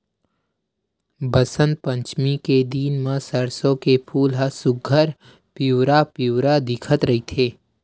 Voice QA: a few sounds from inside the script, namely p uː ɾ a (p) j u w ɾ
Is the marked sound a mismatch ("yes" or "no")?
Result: no